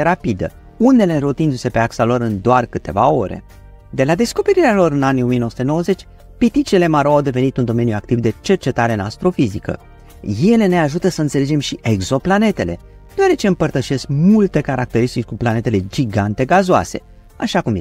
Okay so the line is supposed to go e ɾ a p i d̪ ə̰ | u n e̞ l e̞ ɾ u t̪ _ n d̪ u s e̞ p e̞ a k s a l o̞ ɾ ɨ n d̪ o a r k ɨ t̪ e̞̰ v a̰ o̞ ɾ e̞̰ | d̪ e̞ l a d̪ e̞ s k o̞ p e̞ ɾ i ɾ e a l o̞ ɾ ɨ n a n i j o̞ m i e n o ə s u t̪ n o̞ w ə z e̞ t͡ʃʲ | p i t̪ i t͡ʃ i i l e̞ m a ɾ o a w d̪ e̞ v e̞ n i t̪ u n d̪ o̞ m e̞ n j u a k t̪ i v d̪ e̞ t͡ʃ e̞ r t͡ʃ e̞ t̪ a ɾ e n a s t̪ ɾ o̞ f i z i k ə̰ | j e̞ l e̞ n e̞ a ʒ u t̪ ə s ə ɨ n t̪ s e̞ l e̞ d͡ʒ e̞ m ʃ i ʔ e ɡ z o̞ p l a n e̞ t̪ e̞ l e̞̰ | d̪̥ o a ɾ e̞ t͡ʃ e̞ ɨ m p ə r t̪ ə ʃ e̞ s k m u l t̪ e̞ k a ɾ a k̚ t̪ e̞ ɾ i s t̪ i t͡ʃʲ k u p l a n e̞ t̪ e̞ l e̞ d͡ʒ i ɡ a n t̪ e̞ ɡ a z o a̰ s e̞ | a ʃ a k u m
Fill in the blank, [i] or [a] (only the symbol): i